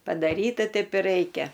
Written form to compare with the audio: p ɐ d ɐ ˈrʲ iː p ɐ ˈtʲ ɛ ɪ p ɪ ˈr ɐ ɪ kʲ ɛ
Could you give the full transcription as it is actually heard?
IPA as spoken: p ɐ d ɐ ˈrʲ iː t ɐ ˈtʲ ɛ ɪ p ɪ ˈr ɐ ɪ kʲ ɛ